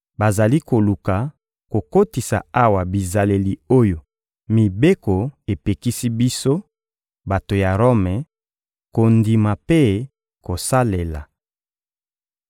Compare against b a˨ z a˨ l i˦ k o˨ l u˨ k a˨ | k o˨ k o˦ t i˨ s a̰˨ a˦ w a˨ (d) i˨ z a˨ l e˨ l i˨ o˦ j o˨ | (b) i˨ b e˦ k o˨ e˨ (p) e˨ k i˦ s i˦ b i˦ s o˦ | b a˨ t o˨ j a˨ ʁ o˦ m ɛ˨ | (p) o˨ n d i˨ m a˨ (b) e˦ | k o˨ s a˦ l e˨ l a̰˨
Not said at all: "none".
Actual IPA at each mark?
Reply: b, m, p, k, p

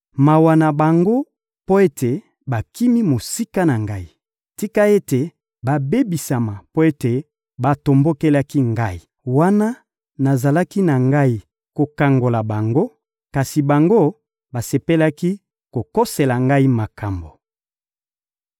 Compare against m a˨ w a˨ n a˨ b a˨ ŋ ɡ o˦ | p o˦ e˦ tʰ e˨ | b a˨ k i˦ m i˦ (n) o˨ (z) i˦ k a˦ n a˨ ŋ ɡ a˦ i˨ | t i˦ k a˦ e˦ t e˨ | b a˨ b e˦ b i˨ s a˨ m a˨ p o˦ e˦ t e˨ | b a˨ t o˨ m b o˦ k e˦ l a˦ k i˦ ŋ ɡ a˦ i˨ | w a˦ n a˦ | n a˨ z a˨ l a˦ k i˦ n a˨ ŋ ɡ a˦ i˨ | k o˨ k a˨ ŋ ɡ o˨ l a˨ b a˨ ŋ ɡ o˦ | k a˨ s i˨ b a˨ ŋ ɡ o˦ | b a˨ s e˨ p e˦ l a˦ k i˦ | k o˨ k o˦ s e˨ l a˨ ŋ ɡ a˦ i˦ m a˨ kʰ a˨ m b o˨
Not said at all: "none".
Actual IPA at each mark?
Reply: m, s

